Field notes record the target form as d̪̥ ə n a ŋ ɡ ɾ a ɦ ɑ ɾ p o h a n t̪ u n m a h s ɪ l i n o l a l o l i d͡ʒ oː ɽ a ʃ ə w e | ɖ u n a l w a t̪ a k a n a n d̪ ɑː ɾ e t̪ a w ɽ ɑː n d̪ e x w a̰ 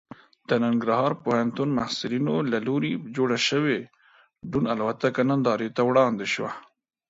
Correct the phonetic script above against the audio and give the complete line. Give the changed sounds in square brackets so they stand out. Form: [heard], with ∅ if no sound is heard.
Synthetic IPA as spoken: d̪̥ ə n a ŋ ɡ ɾ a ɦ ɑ ɾ p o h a n t̪ u n m a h s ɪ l i n o l a l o [ɾ] i d͡ʒ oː ɽ a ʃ ə w e | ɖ u n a l w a t̪ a k a n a n d̪ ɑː ɾ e t̪ a w ɽ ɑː n d̪ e [ʃ] w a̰